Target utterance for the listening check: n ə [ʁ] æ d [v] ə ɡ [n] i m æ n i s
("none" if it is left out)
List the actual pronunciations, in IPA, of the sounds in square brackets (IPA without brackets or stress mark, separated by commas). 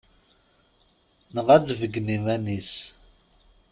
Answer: ʁ, v, n